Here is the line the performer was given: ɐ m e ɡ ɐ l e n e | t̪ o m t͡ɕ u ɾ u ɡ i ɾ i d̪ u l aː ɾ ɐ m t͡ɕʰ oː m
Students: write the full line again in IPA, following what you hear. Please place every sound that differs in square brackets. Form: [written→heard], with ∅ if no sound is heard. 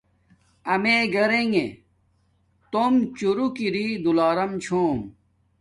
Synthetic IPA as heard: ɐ m e ɡ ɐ [l→ɾ] e [n→ŋ] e | t̪ o m t͡ɕ u ɾ u [ɡ→k] i ɾ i d̪ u l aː ɾ ɐ m t͡ɕʰ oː m